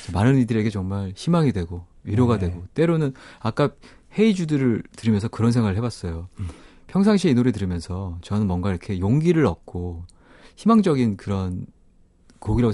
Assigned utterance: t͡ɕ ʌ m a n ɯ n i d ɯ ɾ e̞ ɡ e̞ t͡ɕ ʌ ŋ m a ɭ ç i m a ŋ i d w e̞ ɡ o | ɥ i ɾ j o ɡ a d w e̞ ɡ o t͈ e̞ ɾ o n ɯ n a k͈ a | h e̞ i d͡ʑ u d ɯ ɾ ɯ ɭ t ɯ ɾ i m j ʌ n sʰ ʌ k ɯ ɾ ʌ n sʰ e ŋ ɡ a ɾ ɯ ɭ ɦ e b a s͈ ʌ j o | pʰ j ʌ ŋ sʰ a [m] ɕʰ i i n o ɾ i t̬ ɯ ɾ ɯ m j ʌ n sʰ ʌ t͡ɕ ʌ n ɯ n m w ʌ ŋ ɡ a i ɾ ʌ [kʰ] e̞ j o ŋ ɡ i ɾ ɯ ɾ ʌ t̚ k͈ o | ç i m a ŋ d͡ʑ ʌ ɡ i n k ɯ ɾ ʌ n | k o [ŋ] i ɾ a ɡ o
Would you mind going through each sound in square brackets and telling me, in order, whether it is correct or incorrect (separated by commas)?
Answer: incorrect, correct, incorrect